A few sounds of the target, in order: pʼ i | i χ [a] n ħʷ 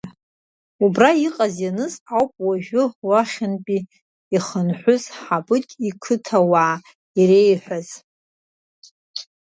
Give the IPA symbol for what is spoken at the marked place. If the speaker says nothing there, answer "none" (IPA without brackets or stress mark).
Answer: ə